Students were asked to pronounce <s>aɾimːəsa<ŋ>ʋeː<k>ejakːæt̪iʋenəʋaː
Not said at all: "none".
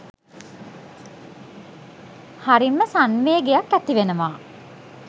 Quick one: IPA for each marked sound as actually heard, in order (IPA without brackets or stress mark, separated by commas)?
h, n, ɡ